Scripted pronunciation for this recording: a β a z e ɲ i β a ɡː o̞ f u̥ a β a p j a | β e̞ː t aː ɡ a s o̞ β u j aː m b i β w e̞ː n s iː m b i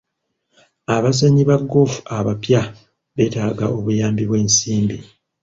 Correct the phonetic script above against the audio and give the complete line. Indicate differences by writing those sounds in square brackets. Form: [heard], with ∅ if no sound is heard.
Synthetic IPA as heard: a β a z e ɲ i β a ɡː o̞ f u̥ a β a p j a | β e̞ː t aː ɡ a [∅] o̞ β u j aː m b i β w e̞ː n s iː m b i